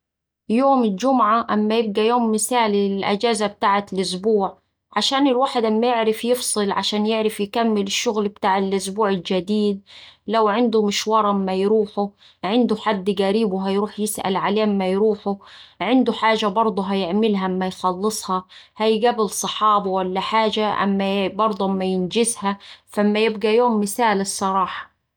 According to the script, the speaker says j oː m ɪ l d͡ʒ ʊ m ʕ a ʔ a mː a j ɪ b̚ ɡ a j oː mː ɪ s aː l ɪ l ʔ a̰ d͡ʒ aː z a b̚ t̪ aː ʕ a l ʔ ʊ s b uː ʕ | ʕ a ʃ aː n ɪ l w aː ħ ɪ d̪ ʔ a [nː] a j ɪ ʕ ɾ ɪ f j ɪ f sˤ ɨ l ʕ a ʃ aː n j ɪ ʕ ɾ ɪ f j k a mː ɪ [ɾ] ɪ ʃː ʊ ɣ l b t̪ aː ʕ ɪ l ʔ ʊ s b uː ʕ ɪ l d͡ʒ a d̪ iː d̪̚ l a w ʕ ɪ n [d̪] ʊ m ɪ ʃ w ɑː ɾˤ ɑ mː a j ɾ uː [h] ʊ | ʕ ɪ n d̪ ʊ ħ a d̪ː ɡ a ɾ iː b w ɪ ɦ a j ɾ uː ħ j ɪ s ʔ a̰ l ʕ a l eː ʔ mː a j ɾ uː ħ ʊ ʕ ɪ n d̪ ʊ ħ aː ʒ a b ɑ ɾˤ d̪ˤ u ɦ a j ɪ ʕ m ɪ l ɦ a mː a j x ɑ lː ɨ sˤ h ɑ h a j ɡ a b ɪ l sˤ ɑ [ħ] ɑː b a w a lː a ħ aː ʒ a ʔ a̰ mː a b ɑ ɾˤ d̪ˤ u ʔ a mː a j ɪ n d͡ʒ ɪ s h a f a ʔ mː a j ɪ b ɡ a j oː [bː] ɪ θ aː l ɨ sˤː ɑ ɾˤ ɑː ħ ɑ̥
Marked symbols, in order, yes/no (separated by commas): no, no, yes, no, yes, no